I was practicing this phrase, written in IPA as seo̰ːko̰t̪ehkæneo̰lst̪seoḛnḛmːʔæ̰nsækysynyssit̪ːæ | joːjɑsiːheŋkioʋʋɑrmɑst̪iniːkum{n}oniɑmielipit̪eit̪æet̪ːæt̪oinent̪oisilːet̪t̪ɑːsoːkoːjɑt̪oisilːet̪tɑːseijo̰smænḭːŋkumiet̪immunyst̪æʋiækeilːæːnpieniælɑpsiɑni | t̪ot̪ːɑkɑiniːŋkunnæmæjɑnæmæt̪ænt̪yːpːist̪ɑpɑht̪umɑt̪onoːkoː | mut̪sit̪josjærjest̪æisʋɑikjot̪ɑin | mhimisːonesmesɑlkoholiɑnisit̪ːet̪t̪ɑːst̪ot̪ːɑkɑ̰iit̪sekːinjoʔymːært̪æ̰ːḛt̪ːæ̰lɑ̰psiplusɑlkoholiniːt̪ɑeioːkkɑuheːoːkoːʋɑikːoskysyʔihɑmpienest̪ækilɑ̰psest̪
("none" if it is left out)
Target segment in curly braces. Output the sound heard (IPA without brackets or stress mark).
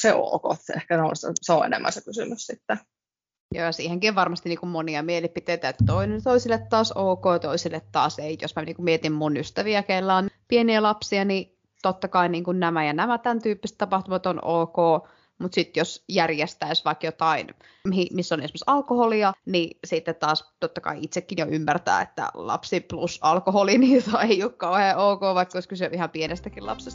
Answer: m